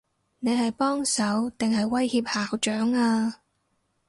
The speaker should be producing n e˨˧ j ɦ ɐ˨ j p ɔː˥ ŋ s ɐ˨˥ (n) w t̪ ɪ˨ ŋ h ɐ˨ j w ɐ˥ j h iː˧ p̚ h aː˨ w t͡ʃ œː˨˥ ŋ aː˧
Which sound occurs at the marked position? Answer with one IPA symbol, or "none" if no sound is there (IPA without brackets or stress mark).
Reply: none